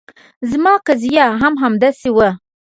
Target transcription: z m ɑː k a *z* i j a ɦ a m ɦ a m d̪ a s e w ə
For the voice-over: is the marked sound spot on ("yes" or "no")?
yes